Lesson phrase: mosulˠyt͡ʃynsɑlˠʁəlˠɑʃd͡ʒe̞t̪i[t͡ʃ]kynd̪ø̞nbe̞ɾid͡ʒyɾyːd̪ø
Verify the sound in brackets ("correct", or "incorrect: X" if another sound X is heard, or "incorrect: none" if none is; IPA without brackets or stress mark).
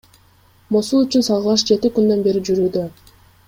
incorrect: none